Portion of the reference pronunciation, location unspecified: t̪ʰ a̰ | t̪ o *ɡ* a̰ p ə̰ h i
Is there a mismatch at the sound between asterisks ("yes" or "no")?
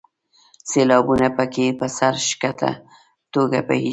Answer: no